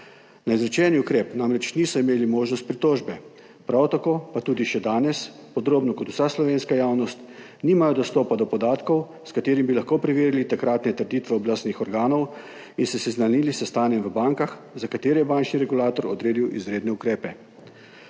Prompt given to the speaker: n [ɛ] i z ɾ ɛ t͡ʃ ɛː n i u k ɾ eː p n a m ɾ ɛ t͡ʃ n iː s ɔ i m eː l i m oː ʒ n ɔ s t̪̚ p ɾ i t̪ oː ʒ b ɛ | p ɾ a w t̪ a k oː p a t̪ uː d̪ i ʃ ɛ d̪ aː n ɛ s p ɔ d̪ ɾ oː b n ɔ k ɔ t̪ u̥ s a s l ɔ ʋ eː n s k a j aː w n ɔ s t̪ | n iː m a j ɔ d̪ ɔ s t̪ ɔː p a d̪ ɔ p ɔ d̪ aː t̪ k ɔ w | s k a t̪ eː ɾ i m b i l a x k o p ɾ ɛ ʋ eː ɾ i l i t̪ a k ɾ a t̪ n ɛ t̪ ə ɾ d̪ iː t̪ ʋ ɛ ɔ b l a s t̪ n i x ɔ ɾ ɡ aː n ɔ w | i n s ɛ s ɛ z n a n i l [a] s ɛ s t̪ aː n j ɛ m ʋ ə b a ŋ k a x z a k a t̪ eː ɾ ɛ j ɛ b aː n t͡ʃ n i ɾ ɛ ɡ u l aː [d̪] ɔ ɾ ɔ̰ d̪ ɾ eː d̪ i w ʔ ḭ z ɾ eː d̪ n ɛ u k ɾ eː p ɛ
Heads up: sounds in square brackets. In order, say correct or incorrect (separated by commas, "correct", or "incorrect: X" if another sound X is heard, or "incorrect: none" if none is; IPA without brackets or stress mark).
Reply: incorrect: a, incorrect: i, incorrect: t̪